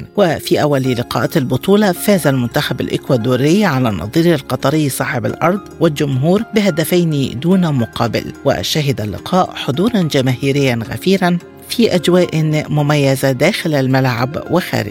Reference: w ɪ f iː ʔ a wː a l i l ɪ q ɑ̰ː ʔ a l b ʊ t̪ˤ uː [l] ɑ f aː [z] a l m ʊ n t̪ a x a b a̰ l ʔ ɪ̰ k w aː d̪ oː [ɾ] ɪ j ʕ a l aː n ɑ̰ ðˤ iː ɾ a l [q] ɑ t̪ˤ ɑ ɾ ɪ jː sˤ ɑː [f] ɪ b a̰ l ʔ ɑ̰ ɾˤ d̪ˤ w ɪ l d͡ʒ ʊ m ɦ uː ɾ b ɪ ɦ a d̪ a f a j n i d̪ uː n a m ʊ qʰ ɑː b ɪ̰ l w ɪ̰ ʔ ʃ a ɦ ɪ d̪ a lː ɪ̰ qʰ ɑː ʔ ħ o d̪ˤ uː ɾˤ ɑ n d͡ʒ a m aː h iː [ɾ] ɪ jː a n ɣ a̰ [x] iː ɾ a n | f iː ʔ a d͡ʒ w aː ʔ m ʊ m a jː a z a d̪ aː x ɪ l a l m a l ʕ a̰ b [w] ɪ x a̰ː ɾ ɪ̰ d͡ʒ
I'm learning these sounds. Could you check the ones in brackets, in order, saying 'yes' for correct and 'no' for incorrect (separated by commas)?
yes, yes, yes, yes, no, yes, no, yes